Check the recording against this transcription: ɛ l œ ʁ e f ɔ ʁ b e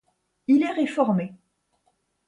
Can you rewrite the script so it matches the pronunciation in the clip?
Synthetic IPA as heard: i l ɛ ʁ e f ɔ ʁ m e